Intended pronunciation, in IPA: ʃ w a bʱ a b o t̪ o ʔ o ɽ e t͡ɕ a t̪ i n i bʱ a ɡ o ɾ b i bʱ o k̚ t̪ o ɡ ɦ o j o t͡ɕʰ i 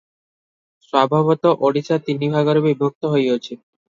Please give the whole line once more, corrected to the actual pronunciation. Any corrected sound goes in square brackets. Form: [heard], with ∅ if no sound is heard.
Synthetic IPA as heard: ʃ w a bʱ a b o t̪ o ʔ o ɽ [i] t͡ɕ a t̪ i n i bʱ a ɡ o ɾ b i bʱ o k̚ t̪ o [∅] ɦ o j o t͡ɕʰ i